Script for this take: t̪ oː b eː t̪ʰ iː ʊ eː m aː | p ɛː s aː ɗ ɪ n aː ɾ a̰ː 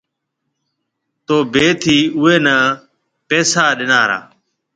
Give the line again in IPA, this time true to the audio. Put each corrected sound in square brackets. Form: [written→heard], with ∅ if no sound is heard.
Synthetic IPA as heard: t̪ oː b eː t̪ʰ iː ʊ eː [m→n] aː | p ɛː s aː ɗ ɪ n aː ɾ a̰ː